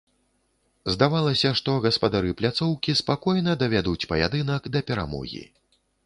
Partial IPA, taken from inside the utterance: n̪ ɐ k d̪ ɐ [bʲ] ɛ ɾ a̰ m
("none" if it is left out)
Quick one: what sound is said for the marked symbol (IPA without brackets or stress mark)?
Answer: pʲ